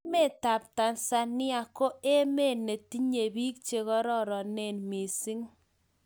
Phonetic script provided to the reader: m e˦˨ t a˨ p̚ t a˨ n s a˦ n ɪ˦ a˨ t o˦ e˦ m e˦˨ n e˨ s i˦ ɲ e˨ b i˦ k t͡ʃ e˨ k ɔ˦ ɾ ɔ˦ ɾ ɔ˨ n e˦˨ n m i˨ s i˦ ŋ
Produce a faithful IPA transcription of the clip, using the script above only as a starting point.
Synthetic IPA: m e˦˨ t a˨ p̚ t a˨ n s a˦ n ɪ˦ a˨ k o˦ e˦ m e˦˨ n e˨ t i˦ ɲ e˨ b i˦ k t͡ʃ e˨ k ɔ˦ ɾ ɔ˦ ɾ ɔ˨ n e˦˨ n m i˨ s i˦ ŋ